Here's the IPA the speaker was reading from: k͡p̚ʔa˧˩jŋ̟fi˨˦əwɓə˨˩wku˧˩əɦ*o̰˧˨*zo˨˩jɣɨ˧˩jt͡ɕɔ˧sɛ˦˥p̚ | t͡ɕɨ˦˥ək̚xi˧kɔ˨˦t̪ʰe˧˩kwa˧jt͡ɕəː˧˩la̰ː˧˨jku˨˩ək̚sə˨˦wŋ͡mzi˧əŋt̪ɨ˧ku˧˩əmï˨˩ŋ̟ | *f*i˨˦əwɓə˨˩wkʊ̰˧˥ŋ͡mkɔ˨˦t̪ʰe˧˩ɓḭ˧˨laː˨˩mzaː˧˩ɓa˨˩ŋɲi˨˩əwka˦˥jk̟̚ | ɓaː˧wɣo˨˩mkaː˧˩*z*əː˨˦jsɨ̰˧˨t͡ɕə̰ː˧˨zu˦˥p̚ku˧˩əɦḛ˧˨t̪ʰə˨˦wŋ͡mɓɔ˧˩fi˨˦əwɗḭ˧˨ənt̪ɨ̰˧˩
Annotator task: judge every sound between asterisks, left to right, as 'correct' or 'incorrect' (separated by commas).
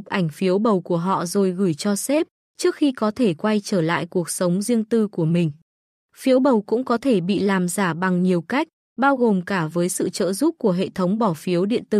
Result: incorrect, correct, incorrect